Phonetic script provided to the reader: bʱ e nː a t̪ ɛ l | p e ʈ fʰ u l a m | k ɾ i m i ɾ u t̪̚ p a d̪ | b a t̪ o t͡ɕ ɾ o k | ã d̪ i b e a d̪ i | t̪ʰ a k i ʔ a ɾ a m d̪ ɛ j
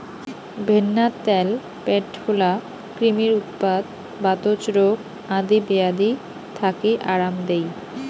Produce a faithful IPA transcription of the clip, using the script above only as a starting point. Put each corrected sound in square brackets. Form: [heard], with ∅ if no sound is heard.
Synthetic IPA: bʱ e nː a t̪ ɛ l | p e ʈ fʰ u l a [∅] | k ɾ i m i ɾ u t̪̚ p a d̪ | b a t̪ o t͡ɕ ɾ o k | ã d̪ i b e a d̪ i | t̪ʰ a k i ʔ a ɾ a m d̪ [e] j